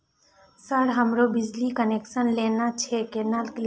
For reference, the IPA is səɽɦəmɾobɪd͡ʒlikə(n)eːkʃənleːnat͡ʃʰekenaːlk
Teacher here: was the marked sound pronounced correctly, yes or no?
yes